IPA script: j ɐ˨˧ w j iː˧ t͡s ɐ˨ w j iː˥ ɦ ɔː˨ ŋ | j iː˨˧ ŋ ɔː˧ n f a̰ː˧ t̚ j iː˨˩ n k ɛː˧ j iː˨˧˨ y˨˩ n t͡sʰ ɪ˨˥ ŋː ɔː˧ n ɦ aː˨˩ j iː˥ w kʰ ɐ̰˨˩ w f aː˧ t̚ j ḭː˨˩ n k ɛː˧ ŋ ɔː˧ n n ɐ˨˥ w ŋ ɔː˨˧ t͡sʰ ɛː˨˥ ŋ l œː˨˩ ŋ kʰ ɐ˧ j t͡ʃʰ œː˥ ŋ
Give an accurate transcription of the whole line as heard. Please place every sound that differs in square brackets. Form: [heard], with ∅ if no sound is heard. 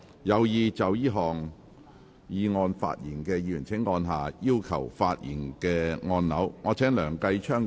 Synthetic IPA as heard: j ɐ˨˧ w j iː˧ t͡s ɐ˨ w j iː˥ ɦ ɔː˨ ŋ | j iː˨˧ ŋ ɔː˧ n f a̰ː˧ t̚ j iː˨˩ n k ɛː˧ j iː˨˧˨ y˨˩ n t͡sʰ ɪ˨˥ ŋː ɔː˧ n ɦ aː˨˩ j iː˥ w kʰ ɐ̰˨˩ w f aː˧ t̚ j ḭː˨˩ n k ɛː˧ ŋ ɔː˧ n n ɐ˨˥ w ŋ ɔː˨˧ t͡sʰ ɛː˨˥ ŋ l œː˨˩ ŋ [k] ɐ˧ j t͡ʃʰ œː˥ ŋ